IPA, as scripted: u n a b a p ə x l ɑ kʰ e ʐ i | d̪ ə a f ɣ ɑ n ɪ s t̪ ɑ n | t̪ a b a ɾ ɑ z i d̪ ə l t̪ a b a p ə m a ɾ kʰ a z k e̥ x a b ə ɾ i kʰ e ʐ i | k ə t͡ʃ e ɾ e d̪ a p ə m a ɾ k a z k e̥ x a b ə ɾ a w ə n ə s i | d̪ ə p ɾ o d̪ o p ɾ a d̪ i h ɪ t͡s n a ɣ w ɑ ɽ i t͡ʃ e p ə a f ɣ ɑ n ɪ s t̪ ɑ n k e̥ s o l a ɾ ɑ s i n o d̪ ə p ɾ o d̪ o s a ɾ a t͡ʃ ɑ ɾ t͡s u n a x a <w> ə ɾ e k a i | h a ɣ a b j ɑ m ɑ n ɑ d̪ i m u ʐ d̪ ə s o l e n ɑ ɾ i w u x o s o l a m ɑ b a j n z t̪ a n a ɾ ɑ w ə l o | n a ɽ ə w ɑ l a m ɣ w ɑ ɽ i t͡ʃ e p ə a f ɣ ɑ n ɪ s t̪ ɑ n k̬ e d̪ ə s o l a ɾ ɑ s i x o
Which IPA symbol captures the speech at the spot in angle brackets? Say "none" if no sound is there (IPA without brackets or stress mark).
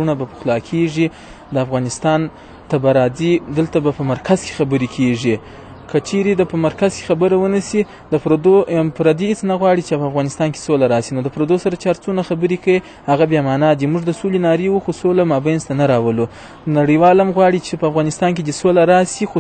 b